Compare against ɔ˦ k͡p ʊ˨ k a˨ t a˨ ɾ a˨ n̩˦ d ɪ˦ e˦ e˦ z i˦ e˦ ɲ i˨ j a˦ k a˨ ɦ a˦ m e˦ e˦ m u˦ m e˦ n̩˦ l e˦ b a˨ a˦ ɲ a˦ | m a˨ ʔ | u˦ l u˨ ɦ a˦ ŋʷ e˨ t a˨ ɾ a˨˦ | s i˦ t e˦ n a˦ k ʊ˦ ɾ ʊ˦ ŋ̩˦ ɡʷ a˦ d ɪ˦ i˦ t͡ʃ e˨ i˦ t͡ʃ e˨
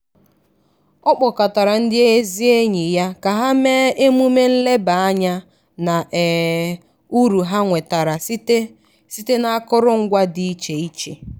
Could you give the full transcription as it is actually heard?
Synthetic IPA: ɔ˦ k͡p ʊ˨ k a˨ t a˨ ɾ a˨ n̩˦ d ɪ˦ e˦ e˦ z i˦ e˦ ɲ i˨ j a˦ k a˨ ɦ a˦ m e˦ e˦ m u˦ m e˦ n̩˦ l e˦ b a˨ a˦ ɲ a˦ | n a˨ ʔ | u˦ ɾ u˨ ɦ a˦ ŋʷ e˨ t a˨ ɾ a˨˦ | s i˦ t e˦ n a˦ k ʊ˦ ɾ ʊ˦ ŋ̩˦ ɡʷ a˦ d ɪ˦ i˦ t͡ʃ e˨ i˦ t͡ʃ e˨